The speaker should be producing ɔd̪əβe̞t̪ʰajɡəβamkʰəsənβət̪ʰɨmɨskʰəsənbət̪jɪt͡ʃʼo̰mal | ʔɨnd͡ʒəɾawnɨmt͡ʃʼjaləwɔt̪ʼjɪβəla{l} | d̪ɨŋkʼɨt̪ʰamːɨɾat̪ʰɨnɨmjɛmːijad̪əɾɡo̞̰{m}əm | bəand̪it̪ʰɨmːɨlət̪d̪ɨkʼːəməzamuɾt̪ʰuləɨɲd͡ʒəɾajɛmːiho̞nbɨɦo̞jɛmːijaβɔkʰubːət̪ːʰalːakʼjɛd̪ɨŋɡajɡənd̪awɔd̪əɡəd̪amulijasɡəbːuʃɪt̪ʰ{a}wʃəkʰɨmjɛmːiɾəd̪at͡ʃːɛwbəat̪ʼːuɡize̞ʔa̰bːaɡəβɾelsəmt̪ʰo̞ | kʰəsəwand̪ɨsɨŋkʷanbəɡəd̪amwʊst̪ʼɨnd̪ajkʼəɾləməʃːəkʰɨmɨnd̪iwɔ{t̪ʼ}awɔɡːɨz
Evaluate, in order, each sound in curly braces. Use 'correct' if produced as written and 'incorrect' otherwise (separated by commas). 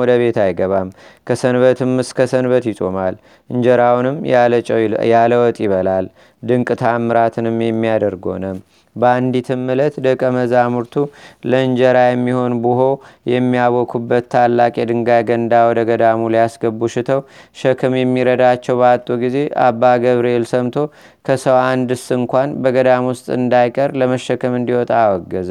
correct, incorrect, incorrect, correct